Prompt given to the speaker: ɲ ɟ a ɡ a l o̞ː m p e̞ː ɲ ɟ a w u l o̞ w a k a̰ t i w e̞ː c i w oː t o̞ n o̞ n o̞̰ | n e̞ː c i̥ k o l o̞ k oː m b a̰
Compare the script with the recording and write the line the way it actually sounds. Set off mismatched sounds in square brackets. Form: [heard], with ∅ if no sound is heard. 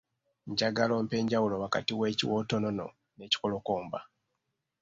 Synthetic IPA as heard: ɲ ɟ a ɡ a l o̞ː m p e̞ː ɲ ɟ a w u l o̞ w a k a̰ t i w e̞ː c i w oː t o̞ n o̞ n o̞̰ | n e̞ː c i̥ k o l o̞ k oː m b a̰